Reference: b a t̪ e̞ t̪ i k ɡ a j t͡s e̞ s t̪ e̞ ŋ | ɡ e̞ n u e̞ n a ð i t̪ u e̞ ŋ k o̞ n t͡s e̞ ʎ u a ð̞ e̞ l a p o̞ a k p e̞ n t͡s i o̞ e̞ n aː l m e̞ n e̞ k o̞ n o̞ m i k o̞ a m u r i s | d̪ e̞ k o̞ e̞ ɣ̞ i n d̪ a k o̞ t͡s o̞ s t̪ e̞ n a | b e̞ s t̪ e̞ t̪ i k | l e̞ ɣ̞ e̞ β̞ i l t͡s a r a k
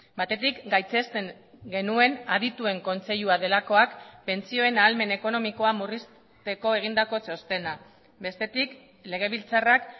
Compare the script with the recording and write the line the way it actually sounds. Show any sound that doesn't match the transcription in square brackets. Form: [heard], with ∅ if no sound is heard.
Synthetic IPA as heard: b a t̪ e̞ t̪ i k ɡ a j t͡s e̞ s t̪ e̞ ŋ | ɡ e̞ n u e̞ n a ð i t̪ u e̞ ŋ k o̞ n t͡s e̞ ʎ u a ð̞ e̞ l a [k] o̞ a k p e̞ n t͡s i o̞ e̞ n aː l m e̞ n e̞ k o̞ n o̞ m i k o̞ a m u r i s | [t̪] e̞ k o̞ e̞ ɣ̞ i n d̪ a k o̞ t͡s o̞ s t̪ e̞ n a | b e̞ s t̪ e̞ t̪ i k | l e̞ ɣ̞ e̞ β̞ i l t͡s a r a k